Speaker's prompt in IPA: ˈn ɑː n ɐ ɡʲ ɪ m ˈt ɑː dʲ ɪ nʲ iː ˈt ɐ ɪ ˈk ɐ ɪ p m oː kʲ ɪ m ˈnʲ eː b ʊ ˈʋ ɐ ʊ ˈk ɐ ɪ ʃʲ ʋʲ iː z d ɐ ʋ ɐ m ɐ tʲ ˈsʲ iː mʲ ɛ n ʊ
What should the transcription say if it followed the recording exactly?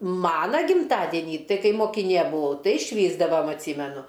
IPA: ˈm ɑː n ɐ ɡʲ ɪ m ˈt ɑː dʲ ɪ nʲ iː ˈt ɐ ɪ ˈk ɐ ɪ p m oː kʲ ɪ ˈnʲ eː b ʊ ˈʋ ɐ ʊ ˈt ɐ ɪ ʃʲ ʋʲ iː z d ɐ ʋ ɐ m ɐ tʲ ˈsʲ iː mʲ ɛ n ʊ